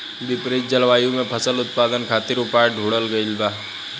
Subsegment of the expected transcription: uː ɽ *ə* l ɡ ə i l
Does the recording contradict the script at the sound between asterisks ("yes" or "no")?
no